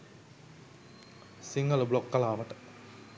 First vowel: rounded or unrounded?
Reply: unrounded